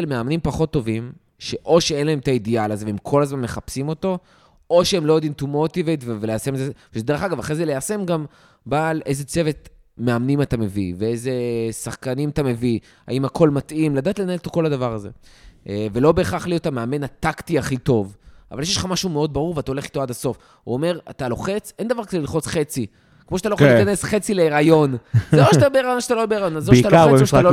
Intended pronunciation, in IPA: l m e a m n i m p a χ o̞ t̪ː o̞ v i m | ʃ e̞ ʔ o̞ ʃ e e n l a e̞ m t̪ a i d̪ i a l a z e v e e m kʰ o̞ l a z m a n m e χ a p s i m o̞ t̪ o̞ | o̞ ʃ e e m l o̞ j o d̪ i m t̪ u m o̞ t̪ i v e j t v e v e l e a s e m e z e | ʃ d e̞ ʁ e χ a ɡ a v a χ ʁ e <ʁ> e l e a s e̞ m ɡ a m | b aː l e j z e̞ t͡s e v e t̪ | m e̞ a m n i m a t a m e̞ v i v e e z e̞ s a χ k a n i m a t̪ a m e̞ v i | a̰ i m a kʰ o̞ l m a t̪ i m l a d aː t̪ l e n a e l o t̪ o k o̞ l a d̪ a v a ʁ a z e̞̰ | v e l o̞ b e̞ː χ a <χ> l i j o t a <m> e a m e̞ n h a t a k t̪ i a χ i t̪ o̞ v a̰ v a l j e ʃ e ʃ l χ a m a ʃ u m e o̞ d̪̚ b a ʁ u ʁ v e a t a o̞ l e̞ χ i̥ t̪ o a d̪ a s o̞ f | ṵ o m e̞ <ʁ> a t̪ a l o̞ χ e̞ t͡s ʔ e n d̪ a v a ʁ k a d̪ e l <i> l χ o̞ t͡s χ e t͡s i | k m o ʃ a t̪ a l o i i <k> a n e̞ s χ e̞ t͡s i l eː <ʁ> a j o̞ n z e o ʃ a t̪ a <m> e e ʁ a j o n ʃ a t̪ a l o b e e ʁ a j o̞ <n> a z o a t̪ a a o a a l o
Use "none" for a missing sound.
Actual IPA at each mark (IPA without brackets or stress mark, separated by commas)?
z, χ, m, ʁ, i, k, ʁ, b, n